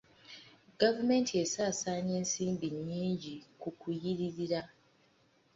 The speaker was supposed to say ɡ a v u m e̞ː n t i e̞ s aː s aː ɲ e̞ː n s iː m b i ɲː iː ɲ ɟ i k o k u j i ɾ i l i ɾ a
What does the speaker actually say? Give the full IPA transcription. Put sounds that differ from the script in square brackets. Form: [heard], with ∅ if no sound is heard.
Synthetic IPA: ɡ a v u m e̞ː n t i e̞ s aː s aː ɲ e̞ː n s iː m b i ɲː iː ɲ ɟ i k [u] k u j i ɾ i [ɾ] i ɾ a

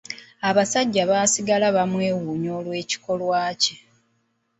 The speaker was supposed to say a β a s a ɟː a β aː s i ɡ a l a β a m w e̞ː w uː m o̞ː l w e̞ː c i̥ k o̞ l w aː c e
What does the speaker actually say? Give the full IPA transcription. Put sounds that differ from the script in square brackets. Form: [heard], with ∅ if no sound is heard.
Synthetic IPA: a β a s a ɟː a β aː s i ɡ a l a β a m w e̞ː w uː [ɲ] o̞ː l w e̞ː c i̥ k o̞ l w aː c e

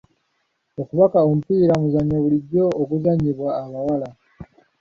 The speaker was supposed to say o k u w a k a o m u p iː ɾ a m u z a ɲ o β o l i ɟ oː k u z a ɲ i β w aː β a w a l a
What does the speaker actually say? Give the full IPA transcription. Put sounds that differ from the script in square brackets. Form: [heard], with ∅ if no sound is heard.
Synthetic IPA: o k u [β] a k a o m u p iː ɾ a m u z a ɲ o β [u] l i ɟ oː k u z a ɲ i β w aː β a w a l a

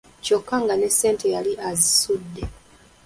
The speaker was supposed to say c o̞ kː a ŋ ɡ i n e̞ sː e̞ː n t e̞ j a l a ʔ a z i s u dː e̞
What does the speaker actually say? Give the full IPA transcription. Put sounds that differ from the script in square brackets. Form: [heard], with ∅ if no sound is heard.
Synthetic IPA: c o̞ kː a ŋ ɡ [a] n e̞ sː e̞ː n t e̞ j a l [i] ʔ a z i s u dː e̞

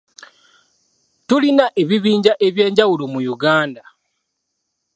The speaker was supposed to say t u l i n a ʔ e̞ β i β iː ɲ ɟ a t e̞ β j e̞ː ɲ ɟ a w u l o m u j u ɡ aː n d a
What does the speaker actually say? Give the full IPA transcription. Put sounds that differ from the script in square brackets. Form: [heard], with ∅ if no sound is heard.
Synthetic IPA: t u l i n a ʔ e̞ β i β iː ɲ ɟ a [ʔ] e̞ β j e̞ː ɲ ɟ a w u l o m u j u ɡ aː n d a

